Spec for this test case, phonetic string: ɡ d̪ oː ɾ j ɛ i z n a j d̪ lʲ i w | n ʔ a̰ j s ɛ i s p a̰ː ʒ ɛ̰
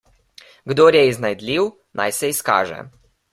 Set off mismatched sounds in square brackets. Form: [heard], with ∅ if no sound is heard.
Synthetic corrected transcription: ɡ d̪ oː ɾ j ɛ i z n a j d̪ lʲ i w | n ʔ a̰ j s ɛ i s [k] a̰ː ʒ ɛ̰